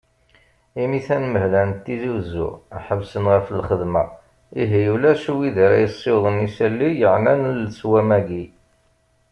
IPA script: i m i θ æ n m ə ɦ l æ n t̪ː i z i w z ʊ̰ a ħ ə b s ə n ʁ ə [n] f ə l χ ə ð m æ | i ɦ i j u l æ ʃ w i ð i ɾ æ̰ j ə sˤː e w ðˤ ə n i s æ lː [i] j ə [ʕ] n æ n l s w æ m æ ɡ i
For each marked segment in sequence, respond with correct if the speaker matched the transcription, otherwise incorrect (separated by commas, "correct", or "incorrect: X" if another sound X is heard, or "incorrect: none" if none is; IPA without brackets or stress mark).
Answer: incorrect: none, correct, correct